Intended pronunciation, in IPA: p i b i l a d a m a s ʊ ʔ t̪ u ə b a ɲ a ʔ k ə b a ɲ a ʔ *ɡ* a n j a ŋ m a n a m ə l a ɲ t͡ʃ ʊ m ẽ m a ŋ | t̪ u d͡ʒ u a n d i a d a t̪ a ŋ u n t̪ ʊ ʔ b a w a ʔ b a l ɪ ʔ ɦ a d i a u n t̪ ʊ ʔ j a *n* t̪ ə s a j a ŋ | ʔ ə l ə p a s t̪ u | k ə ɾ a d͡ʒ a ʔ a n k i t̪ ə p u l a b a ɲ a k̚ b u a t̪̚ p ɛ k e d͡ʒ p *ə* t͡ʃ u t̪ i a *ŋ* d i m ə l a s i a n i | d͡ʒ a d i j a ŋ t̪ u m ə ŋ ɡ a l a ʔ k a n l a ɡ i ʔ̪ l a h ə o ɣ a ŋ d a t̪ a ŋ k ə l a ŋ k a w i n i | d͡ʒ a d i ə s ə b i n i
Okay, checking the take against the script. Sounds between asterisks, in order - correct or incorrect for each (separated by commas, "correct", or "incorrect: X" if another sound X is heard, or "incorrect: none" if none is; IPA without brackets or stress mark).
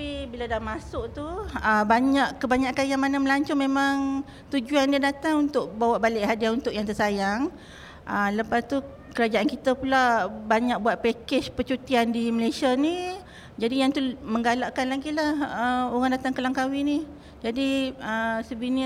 incorrect: k, incorrect: ŋ, correct, incorrect: n